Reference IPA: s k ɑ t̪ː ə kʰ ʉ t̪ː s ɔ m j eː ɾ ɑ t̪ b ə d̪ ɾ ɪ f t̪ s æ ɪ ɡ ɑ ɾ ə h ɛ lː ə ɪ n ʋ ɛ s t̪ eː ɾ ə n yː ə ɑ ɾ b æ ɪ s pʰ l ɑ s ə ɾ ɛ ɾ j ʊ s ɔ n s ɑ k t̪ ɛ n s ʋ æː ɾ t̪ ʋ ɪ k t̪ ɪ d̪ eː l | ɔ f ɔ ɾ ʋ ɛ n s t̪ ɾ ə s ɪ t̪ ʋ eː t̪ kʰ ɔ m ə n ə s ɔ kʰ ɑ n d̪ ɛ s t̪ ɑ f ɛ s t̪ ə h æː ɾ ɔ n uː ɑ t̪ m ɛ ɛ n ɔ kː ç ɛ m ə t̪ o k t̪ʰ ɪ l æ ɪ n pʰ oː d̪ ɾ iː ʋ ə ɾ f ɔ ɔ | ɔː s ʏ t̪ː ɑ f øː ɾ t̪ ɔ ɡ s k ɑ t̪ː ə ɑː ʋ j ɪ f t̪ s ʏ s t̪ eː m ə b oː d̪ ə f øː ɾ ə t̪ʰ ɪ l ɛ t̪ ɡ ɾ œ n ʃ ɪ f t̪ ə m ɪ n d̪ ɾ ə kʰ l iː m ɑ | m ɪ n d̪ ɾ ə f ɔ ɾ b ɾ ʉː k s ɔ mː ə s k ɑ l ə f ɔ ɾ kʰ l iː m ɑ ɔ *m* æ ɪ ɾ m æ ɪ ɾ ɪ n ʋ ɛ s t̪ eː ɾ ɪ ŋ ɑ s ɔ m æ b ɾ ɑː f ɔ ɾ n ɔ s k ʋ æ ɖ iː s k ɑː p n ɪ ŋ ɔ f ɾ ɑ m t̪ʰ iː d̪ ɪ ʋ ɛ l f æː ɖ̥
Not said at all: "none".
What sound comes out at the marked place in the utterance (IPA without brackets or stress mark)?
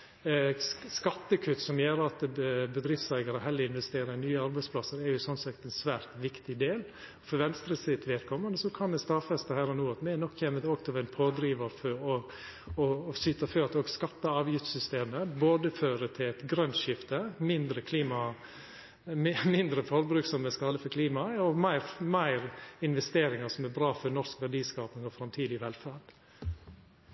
m